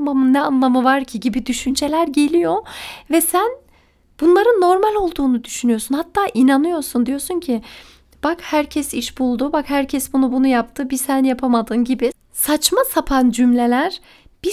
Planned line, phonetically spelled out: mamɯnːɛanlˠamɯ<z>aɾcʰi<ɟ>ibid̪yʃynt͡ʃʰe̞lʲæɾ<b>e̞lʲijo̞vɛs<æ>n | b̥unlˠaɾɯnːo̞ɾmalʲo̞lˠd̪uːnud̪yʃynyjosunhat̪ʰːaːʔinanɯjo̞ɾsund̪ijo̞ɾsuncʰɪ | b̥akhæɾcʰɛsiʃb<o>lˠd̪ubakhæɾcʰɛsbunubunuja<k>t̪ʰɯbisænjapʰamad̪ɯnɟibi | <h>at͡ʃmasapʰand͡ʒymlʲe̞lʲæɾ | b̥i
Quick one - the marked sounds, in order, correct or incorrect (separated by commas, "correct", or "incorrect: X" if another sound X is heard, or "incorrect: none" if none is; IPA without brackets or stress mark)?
incorrect: v, correct, incorrect: ɟ, correct, incorrect: u, incorrect: p, incorrect: s